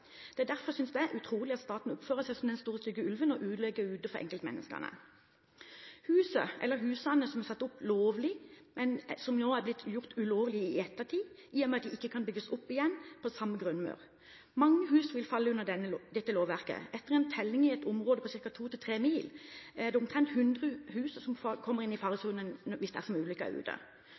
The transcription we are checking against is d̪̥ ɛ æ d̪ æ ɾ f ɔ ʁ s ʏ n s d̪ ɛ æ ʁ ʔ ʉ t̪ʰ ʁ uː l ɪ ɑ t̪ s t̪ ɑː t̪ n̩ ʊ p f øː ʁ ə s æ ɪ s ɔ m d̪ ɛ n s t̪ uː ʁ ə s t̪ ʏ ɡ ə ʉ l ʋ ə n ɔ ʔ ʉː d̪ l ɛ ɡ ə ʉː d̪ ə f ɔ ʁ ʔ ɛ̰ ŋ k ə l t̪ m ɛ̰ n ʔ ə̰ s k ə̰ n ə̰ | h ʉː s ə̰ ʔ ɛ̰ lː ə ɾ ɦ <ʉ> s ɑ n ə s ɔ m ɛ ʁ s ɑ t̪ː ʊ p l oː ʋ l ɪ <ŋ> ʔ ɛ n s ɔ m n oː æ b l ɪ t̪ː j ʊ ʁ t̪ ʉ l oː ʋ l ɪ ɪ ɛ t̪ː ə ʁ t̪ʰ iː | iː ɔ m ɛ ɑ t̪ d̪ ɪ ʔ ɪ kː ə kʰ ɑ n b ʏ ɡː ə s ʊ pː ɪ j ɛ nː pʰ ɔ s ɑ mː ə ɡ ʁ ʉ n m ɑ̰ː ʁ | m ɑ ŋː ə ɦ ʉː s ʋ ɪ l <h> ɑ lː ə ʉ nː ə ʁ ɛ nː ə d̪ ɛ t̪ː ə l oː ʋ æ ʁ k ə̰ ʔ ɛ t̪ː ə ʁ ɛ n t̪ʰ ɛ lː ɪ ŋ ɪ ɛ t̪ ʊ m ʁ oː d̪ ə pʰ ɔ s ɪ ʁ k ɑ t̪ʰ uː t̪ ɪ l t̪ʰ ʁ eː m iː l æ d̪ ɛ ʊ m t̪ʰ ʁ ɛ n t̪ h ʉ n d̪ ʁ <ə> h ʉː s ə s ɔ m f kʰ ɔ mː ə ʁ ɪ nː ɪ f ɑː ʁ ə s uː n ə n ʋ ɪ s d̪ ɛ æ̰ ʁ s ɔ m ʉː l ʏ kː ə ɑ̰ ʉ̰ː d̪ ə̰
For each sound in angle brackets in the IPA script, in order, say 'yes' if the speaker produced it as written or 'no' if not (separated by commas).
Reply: no, no, no, yes